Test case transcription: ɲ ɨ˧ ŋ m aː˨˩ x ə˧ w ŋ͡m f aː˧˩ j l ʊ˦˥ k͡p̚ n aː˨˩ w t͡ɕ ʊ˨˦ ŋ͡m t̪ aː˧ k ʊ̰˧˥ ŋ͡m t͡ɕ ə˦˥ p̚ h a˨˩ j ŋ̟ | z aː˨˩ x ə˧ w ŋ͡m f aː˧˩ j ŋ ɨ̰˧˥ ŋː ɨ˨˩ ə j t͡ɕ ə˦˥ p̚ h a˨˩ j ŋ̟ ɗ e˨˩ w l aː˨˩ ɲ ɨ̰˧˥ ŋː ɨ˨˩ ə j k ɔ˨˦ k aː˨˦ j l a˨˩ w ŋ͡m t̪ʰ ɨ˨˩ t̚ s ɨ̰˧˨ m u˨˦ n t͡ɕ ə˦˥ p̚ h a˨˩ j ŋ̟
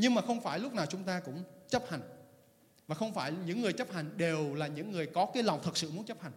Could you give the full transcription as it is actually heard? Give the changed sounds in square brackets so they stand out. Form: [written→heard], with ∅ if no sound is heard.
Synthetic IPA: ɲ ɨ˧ ŋ m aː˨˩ x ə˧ w ŋ͡m f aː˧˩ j l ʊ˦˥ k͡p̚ n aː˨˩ w t͡ɕ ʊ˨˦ ŋ͡m t̪ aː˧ k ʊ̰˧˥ ŋ͡m t͡ɕ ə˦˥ p̚ h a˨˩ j ŋ̟ | [z→v] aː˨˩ x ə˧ w ŋ͡m f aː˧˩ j [ŋ→ɲ] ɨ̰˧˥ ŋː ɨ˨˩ ə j t͡ɕ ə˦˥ p̚ h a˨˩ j ŋ̟ ɗ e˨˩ w l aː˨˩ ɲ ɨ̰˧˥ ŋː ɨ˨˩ ə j k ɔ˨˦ k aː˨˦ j l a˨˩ w ŋ͡m t̪ʰ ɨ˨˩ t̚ s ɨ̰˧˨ m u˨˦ n t͡ɕ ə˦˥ p̚ h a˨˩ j ŋ̟